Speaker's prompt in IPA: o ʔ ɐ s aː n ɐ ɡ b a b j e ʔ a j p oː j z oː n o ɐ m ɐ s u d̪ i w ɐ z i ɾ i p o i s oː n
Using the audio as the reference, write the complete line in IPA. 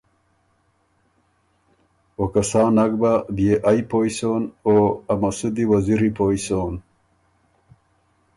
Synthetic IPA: o k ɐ s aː n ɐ ɡ b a b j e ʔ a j p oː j s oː n o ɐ m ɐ s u d̪ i w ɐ z i ɾ i p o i s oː n